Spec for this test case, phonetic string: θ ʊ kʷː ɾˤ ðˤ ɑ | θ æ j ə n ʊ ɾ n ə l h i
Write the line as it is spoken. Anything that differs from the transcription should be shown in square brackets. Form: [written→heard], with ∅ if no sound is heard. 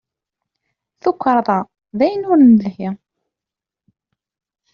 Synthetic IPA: θ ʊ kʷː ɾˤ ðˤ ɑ | [θ→ð] æ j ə n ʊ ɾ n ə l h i